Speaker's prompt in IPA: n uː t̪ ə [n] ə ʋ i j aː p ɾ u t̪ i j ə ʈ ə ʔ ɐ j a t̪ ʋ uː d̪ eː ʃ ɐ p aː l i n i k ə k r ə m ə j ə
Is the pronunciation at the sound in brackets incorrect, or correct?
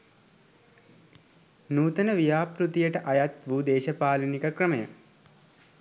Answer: correct